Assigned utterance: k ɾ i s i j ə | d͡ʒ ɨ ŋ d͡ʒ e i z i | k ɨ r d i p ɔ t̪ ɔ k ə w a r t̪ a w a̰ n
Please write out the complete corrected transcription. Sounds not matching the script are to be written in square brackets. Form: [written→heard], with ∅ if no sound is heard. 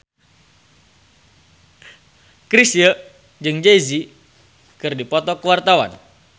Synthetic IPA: k ɾ i s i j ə | d͡ʒ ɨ ŋ d͡ʒ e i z i | k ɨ r d i p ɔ t̪ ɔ k ə w a r t̪ a w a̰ n